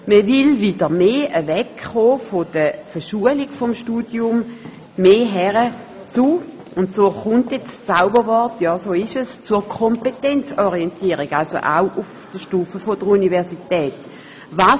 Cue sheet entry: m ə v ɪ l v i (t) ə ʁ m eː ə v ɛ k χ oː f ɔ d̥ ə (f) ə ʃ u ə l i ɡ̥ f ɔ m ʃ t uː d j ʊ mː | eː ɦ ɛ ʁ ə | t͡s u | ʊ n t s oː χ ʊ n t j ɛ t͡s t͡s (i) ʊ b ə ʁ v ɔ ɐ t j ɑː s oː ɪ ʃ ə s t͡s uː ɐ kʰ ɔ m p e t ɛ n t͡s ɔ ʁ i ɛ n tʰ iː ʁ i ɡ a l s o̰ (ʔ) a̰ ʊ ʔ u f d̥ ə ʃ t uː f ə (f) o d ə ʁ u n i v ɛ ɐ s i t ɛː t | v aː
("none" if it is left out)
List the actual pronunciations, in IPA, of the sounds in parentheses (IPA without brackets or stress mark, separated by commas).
d, f, a, ʔ, f